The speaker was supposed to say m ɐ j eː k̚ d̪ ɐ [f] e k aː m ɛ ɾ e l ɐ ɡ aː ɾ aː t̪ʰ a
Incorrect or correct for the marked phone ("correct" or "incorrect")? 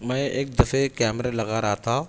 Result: correct